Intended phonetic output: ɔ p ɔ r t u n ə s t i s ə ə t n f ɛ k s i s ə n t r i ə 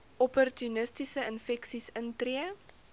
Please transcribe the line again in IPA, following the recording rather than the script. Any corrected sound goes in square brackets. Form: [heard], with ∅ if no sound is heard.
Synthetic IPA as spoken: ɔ p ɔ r t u n ə s t i s ə ə [∅] n f ɛ k s i s ə n t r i ə